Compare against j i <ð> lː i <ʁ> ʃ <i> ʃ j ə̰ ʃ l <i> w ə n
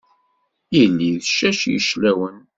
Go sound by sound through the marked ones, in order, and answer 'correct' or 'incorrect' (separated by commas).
incorrect, incorrect, incorrect, incorrect